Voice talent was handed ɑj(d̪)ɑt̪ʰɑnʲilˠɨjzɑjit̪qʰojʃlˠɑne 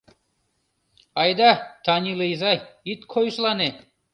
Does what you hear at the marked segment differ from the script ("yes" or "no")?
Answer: no